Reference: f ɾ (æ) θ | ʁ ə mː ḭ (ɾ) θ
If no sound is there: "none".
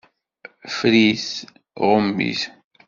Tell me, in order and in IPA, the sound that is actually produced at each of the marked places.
i, none

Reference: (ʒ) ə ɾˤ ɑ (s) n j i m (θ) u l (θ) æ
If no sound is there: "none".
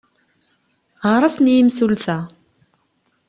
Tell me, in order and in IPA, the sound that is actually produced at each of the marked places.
ʁ, s, s, θ

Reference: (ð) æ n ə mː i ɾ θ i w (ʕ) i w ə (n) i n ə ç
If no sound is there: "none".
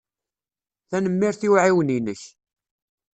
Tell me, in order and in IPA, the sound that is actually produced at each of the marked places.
θ, ʕ, n

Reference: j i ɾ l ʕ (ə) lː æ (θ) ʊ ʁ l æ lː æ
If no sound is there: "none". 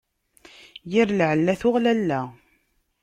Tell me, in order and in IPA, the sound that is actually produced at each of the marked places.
ə, θ

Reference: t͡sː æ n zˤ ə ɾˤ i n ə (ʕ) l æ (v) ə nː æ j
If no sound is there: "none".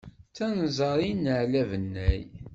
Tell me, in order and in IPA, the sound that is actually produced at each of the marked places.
ʕ, v

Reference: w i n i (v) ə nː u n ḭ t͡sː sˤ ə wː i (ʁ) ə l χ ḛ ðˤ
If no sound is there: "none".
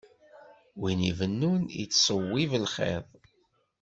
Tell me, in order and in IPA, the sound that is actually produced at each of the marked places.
v, v

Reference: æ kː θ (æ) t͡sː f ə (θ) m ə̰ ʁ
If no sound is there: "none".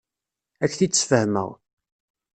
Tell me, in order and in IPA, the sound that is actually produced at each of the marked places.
i, h

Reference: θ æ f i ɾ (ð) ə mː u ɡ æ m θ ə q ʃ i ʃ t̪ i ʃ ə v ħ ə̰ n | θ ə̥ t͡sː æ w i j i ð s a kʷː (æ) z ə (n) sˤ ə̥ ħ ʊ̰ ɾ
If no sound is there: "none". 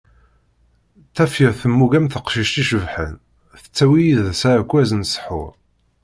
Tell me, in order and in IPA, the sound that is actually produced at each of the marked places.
θ, æ, n

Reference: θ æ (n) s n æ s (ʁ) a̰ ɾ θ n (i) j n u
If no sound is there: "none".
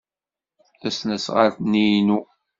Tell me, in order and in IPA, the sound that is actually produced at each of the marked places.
none, ʁ, i

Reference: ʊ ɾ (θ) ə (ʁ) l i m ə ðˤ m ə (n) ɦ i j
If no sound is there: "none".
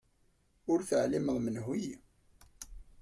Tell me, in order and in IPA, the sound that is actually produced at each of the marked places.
θ, ʕ, n

